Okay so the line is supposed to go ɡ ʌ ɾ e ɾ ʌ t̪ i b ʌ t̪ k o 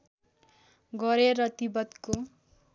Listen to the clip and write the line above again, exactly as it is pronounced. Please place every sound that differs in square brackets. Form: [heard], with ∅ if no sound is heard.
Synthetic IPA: ɡ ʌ ɾ e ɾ ʌ t̪ i b ʌ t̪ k o